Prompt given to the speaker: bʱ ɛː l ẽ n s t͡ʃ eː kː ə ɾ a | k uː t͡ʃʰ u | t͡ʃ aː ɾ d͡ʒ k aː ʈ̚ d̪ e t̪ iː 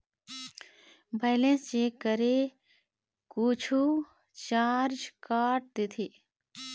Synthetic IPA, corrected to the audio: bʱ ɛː l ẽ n s t͡ʃ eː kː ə ɾ e | k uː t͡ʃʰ u | t͡ʃ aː ɾ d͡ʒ k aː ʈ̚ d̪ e t̪ʰ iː